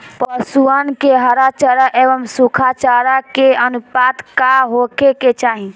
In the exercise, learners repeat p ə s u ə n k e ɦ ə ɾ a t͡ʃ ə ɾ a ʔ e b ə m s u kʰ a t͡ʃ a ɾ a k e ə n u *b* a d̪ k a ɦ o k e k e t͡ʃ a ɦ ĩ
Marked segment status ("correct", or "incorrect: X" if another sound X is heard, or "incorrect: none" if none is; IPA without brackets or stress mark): incorrect: p